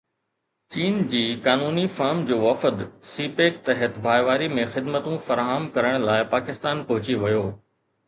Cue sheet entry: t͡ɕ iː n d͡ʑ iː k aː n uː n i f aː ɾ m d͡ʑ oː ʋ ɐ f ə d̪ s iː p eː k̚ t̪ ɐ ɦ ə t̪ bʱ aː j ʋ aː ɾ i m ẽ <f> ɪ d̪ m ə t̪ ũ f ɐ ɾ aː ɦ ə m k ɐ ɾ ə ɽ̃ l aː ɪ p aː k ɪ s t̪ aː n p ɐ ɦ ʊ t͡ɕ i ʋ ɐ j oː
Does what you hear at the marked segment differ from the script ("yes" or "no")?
yes